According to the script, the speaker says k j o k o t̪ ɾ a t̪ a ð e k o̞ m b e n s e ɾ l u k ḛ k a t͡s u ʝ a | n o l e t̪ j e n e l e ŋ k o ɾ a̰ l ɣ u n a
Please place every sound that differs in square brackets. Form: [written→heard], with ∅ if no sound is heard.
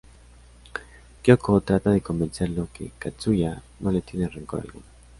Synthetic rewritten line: k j o k o t̪ ɾ a t̪ a ð e k o̞ m b e n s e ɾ l [u→o] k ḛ k a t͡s u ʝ a | n o l e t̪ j e n e [l→r] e ŋ k o ɾ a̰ l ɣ u n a